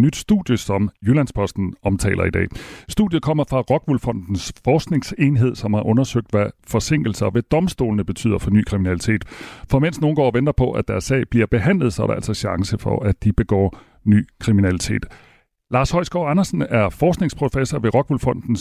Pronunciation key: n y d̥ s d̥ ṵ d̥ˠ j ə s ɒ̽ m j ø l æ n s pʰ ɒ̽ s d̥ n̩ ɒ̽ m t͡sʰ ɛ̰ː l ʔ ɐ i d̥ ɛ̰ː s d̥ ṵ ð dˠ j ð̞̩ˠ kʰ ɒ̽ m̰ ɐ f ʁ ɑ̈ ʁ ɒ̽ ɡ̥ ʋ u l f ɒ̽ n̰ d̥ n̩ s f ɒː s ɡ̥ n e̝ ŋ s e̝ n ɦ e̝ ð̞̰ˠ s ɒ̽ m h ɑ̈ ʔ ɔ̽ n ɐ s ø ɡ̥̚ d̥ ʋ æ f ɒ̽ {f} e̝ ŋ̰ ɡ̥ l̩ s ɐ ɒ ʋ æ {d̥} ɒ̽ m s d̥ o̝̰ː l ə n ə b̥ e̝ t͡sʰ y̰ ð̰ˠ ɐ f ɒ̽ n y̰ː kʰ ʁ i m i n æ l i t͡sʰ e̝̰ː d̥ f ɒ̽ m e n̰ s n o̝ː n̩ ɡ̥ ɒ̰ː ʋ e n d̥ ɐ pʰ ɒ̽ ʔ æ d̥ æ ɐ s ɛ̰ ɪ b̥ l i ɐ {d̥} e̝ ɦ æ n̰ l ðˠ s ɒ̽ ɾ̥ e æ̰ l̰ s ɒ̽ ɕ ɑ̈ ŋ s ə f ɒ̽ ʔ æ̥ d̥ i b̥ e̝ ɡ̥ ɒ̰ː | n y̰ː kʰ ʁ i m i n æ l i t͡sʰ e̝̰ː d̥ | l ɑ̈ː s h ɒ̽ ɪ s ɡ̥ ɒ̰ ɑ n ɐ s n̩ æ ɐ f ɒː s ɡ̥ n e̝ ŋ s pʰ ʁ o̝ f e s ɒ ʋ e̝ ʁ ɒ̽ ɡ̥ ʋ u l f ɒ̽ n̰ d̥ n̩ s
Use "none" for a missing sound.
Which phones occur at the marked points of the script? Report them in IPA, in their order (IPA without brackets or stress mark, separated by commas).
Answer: s, d̥, b̥